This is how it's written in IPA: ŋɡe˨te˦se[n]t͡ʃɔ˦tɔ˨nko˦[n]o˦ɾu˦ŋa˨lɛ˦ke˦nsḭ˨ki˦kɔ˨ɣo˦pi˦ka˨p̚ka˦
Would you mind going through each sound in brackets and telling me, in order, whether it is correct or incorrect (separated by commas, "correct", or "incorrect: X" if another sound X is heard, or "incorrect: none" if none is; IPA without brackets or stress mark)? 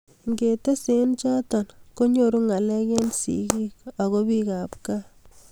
correct, incorrect: ɲ